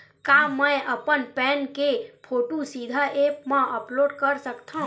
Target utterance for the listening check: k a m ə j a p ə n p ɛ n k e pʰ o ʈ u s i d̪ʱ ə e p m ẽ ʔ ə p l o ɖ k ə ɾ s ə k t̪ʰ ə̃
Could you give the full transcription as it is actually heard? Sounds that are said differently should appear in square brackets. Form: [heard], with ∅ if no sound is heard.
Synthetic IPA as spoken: k a m ə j [ə] p ə n p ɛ n k e pʰ o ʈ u s i d̪ʱ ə e p m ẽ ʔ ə p l o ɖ k ə ɾ s ə k t̪ʰ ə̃